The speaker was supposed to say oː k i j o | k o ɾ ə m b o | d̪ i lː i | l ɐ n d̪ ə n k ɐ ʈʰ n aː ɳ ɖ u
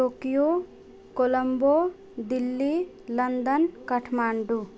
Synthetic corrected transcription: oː k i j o | k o l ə m b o | d̪ i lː i | l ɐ n d̪ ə n k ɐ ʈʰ m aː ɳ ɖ u